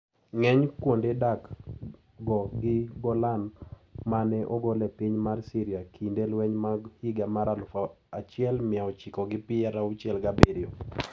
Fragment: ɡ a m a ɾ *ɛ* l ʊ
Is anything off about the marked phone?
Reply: yes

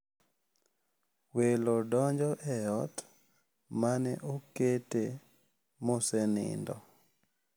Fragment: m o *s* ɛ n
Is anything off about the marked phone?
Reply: no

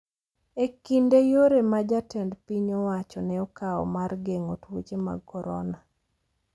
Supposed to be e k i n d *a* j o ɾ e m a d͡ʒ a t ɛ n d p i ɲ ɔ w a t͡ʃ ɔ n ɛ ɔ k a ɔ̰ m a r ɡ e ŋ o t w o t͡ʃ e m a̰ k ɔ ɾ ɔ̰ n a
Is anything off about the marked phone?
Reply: yes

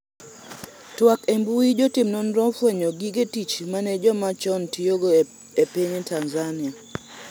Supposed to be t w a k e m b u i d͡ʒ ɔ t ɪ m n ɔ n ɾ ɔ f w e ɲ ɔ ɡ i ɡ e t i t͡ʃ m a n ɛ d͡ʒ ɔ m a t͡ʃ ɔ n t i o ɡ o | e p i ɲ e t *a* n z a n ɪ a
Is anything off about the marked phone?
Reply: no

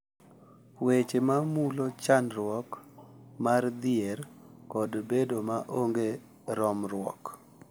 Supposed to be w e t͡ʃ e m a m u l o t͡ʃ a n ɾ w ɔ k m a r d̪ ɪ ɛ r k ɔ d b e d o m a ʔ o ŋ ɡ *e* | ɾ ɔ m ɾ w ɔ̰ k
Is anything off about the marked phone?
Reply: no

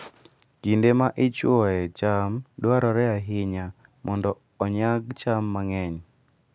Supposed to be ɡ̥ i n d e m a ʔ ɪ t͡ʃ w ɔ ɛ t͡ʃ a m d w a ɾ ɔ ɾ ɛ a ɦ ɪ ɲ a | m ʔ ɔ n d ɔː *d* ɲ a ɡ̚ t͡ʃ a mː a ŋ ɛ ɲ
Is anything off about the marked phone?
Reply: yes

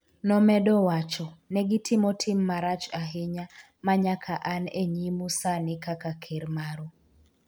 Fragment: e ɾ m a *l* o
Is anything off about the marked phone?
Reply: yes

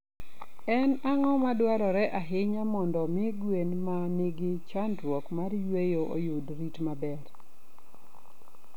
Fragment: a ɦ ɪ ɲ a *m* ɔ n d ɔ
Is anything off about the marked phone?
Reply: no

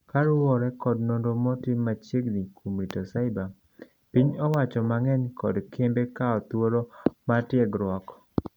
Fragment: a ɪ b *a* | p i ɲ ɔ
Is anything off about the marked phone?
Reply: no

